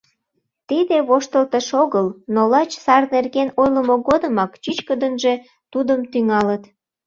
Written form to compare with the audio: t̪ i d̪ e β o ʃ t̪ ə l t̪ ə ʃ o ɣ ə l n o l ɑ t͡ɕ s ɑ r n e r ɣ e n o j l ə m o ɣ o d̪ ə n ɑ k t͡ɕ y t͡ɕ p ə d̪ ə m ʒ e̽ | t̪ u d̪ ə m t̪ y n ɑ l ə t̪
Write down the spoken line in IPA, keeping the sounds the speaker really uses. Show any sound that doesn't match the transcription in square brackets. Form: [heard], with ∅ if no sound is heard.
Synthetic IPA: t̪ i d̪ e β o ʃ t̪ ə l t̪ ə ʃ o ɣ ə l n o l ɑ t͡ɕ s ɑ r n e r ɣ e n o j l ə m o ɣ o d̪ ə [m] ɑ k t͡ɕ y t͡ɕ [k] ə d̪ ə [n] ʒ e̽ | t̪ u d̪ ə m t̪ y [ŋ] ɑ l ə t̪